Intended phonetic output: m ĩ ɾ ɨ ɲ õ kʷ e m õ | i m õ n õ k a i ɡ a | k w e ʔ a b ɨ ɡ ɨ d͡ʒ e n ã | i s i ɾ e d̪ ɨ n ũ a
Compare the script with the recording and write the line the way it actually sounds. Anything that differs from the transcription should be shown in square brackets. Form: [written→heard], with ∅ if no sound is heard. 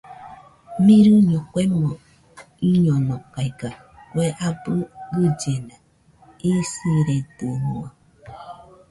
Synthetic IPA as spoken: m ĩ ɾ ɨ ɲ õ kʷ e m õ | i [m→ɲ] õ n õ k a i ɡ a | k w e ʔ a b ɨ ɡ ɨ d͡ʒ e n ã | i s i ɾ e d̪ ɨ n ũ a